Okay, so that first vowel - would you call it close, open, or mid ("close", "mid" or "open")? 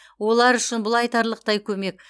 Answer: mid